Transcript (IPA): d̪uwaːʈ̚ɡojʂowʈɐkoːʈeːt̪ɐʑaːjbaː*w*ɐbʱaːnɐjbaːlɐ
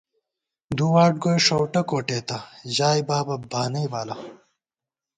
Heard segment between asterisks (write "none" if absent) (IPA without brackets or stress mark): b